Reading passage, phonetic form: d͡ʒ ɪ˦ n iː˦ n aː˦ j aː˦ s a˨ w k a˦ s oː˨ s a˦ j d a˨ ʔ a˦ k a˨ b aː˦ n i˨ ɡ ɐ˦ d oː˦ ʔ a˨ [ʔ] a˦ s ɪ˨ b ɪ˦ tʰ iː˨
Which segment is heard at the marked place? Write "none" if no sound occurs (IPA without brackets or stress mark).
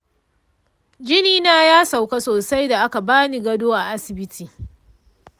ʔ